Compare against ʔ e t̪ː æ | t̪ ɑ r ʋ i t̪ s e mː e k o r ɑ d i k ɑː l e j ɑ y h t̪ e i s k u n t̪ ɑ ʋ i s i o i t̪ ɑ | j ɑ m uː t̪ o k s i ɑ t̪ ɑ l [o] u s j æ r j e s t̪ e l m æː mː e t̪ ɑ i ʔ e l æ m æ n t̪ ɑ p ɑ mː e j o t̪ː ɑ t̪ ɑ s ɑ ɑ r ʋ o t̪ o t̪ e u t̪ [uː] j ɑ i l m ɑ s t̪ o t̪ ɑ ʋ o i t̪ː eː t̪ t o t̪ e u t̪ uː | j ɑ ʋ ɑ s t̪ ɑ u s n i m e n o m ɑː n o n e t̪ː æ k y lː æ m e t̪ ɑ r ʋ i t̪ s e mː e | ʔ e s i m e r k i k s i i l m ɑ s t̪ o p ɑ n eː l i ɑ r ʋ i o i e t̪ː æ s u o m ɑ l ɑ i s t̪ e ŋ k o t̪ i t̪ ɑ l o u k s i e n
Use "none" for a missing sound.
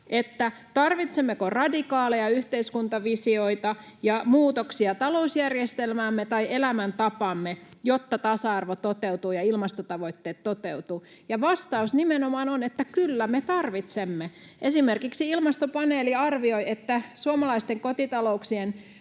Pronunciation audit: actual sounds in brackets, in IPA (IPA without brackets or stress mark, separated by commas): o, uː